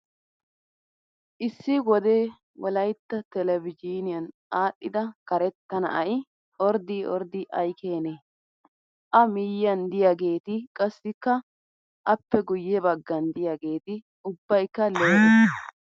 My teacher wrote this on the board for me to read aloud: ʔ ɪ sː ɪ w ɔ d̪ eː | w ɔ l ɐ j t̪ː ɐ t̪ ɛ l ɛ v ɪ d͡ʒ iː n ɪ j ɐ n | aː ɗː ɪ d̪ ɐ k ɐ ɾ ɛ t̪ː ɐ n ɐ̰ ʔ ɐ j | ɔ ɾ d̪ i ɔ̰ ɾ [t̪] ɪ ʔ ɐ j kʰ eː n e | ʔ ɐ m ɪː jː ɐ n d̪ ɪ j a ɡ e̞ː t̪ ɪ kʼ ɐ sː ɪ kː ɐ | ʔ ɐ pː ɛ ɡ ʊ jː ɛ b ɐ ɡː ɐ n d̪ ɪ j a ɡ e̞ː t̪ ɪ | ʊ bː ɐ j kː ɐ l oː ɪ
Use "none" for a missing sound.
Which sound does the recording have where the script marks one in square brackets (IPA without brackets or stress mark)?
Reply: d̪